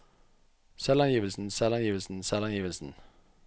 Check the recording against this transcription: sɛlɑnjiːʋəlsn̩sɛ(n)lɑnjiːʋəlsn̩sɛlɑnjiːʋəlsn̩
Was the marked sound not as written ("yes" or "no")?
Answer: yes